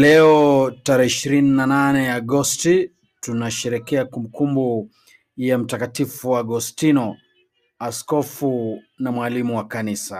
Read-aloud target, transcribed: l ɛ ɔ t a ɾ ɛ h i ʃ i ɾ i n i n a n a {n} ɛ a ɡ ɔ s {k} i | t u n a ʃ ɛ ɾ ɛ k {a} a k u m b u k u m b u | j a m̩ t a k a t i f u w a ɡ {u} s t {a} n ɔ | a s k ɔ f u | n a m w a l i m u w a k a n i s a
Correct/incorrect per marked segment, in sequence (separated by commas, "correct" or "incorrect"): correct, incorrect, incorrect, incorrect, incorrect